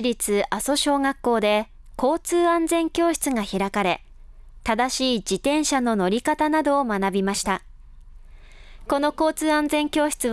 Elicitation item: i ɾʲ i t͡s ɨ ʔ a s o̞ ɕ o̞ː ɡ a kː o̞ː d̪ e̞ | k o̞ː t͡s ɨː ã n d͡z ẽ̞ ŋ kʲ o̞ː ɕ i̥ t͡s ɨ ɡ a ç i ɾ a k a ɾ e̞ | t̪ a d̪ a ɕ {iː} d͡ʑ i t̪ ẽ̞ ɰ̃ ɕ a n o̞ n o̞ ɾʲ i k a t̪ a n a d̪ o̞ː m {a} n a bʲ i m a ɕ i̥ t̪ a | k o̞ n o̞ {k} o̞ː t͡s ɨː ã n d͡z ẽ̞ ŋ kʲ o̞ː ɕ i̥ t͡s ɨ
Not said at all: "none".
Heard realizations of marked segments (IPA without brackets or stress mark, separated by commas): iː, a, k